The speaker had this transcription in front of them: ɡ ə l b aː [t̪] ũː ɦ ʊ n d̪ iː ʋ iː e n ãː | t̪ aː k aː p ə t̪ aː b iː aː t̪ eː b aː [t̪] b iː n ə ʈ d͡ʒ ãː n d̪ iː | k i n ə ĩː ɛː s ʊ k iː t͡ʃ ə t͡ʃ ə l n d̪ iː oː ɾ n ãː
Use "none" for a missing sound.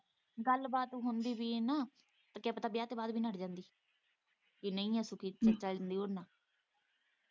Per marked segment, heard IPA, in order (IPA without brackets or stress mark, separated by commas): t̪, d̪